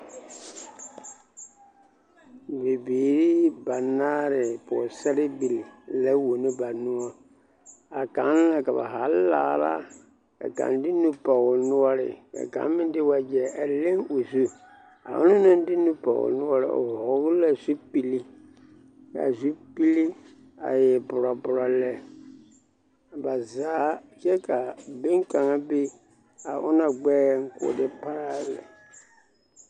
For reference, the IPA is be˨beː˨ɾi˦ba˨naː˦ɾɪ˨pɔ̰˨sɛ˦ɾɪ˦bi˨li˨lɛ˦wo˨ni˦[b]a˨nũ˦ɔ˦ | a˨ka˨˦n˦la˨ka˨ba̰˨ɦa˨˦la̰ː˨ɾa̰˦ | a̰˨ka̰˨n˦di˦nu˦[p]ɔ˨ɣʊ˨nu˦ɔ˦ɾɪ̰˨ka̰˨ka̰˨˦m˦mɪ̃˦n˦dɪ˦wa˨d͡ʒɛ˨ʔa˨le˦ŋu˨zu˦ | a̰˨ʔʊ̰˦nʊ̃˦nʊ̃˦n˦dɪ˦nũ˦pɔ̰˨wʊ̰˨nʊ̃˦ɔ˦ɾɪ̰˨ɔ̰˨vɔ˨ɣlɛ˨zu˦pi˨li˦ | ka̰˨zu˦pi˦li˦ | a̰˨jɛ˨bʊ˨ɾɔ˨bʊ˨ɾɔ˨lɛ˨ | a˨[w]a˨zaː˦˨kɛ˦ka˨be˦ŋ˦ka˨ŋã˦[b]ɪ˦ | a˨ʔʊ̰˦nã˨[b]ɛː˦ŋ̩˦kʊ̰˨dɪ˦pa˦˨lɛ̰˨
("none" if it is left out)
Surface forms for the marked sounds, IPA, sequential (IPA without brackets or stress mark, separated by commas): b, p, b, b, ɡ͡b